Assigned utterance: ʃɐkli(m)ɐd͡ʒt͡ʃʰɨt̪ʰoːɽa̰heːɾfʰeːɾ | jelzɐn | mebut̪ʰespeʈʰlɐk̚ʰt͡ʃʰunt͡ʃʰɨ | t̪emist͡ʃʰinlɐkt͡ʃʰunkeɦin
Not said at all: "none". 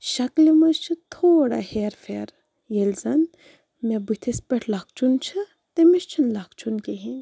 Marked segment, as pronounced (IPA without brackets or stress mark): m